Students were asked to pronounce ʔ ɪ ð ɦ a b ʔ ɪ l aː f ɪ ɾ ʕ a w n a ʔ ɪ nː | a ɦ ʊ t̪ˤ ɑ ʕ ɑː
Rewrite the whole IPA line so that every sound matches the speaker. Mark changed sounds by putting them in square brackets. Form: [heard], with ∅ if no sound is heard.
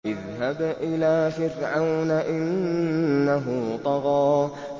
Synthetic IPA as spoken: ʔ ɪ ð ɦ a b ʔ ɪ l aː f ɪ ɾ ʕ a w n a ʔ ɪ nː | a ɦ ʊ t̪ˤ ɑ [ɣ] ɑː